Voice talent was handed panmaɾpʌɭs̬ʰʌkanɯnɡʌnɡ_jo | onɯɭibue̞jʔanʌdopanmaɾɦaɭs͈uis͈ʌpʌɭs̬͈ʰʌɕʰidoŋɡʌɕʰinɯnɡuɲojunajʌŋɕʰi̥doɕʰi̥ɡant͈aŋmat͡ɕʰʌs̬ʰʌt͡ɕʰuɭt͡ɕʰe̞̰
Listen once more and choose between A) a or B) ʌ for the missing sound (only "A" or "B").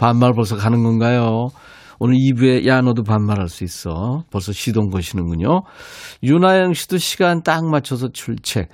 A